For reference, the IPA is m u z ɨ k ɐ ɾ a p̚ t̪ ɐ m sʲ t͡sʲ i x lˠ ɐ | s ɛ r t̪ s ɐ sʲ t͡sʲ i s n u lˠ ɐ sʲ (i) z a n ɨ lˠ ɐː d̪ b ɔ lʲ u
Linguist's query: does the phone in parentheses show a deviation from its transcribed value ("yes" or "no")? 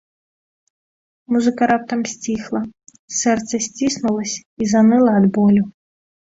no